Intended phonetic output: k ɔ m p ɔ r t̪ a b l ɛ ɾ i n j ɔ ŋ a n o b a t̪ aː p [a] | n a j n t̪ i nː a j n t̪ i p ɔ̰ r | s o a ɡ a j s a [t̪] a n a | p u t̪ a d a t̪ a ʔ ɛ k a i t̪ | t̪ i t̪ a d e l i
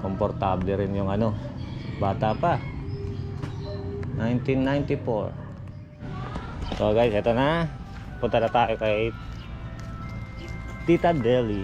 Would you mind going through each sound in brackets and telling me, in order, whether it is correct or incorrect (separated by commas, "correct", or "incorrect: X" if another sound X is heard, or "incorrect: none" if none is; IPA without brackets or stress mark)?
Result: correct, correct